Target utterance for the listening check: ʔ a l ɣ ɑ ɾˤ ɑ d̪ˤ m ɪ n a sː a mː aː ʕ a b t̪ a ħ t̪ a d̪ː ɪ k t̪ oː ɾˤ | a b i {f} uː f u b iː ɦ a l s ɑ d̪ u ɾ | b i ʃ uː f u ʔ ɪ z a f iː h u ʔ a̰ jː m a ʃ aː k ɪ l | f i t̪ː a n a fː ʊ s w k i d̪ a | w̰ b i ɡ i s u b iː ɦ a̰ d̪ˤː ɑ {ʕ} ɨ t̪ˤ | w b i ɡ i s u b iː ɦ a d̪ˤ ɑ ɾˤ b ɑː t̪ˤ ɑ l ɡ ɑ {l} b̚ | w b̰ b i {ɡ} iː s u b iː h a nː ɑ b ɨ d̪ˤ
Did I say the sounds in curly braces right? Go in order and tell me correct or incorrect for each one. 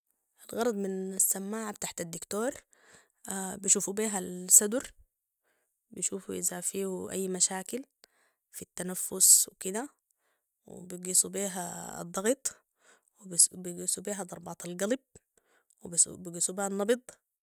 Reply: incorrect: ʃ, incorrect: ɣ, correct, correct

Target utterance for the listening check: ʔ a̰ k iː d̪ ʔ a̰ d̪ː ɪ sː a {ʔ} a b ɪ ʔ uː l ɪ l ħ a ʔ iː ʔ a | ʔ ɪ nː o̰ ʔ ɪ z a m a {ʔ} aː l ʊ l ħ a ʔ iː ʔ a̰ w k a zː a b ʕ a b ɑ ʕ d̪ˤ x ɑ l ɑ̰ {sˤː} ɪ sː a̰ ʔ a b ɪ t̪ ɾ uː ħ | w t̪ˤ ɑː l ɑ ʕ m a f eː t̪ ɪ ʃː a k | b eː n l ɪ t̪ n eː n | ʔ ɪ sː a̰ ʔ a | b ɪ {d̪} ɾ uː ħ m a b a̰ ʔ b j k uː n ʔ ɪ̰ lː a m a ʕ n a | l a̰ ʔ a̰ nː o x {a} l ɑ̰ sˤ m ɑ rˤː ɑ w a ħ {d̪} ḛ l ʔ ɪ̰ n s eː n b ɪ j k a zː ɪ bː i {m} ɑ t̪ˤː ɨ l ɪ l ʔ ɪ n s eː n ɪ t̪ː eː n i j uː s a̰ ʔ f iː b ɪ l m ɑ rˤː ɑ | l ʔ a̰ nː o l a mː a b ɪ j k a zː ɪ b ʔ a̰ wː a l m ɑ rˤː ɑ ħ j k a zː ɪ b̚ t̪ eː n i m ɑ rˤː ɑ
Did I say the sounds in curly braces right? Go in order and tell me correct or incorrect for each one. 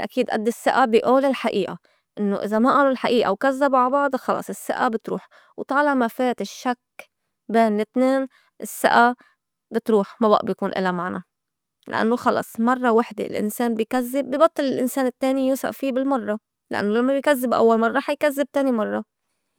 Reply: correct, correct, incorrect: sˤ, incorrect: t̪, incorrect: ɑ, correct, incorrect: b

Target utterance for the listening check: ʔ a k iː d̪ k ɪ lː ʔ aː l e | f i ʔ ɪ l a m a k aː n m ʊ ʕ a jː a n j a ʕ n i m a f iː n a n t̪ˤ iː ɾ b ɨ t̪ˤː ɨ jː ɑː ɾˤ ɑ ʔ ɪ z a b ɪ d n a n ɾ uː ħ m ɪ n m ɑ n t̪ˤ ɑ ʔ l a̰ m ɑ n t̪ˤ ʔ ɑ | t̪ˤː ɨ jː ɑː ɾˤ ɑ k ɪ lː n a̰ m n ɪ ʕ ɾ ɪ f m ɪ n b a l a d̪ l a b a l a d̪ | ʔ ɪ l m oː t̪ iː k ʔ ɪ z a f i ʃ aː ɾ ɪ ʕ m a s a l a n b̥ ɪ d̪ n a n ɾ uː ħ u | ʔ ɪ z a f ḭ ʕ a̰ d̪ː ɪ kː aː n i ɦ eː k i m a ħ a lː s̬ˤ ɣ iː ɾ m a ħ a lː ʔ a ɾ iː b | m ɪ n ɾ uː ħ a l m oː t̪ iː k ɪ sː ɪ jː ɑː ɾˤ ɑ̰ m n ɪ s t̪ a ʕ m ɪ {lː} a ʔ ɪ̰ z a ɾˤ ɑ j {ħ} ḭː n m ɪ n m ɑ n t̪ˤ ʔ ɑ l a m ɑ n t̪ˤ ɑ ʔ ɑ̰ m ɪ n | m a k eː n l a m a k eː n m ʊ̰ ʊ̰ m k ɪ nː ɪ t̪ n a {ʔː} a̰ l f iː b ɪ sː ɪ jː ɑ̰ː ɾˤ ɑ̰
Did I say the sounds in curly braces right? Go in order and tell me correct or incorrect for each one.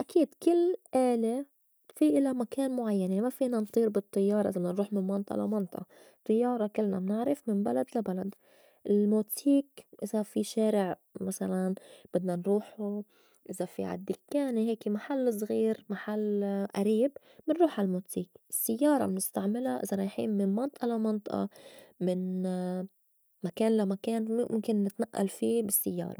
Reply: incorrect: l, correct, correct

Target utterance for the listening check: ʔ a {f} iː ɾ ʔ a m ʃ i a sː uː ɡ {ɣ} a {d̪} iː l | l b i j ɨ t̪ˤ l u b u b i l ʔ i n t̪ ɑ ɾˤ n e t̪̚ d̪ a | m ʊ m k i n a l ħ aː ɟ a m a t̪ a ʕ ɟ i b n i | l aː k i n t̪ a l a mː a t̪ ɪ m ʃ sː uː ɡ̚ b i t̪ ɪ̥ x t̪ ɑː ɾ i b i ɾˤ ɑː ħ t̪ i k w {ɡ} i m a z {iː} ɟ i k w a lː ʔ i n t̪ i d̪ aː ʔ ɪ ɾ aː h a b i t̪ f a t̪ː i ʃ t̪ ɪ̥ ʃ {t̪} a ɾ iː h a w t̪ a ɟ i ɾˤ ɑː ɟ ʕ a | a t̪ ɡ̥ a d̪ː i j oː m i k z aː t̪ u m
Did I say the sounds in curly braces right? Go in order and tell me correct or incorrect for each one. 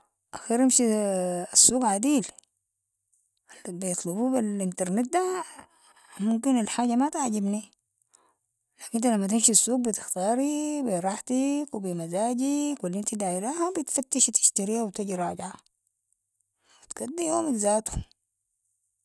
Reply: incorrect: x, incorrect: ʕ, correct, incorrect: b, incorrect: aː, correct

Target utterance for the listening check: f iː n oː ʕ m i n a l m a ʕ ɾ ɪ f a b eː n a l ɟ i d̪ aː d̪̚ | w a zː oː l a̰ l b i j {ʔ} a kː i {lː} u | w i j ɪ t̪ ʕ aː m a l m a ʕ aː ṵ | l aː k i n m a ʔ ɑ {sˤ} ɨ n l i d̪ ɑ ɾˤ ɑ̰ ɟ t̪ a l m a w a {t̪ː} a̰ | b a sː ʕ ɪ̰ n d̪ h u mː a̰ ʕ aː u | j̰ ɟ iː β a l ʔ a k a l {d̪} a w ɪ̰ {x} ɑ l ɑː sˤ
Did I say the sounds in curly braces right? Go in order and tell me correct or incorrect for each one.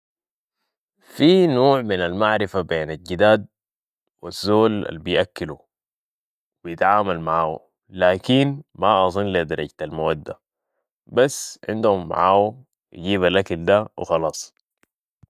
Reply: correct, incorrect: l, incorrect: zˤ, incorrect: d̪ː, correct, correct

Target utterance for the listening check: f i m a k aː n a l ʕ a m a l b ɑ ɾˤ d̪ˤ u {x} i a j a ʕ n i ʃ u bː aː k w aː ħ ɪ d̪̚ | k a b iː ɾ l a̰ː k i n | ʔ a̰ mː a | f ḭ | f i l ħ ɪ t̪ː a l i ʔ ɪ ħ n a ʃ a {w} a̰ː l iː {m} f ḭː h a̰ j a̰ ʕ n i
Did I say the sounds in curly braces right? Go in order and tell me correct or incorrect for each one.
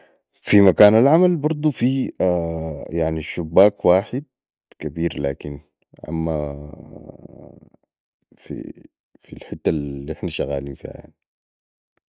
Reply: incorrect: f, incorrect: ɣ, incorrect: n

